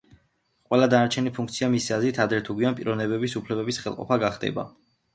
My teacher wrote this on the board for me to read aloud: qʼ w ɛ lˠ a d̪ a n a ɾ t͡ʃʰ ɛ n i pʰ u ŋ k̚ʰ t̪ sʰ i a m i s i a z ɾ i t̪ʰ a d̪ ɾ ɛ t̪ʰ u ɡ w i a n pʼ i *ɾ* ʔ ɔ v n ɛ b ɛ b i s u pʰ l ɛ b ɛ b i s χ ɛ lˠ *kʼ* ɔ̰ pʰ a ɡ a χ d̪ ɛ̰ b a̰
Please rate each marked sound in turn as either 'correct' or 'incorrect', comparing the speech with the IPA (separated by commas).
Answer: correct, incorrect